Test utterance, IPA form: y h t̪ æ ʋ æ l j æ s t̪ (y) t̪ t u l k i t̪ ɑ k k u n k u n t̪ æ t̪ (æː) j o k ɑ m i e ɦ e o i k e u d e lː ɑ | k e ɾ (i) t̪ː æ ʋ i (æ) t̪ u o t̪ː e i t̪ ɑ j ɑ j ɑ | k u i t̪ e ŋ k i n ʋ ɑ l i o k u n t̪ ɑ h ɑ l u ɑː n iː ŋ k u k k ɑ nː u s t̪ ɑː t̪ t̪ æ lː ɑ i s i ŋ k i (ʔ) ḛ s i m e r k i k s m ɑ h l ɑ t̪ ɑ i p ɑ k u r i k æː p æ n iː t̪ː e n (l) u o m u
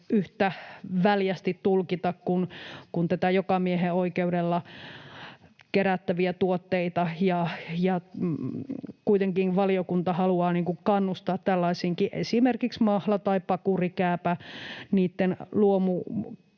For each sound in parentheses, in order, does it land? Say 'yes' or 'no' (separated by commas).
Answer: no, no, no, yes, yes, yes